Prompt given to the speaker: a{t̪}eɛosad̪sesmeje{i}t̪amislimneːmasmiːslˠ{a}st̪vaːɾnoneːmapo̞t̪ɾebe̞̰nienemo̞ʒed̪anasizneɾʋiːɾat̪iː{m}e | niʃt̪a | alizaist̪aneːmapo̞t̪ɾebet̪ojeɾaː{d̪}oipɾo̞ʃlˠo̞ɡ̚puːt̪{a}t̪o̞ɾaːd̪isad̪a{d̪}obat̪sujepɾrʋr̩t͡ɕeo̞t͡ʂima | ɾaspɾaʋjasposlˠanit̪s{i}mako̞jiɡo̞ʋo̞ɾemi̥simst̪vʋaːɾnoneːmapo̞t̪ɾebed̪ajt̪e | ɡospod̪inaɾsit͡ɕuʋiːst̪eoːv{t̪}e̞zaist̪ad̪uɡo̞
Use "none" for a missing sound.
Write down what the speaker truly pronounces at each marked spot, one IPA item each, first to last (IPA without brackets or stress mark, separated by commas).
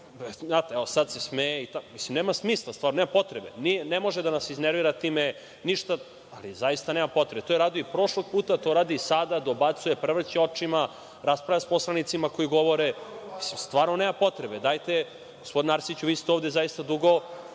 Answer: t̪, i, a, m, d̪, a, d̪, i, d̪